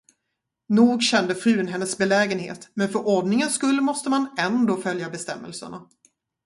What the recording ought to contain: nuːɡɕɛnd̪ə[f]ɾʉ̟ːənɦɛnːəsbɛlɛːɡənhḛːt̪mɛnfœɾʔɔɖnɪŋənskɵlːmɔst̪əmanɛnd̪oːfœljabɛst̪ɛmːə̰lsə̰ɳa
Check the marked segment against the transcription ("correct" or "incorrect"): correct